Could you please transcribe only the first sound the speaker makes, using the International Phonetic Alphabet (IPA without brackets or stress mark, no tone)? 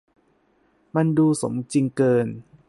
m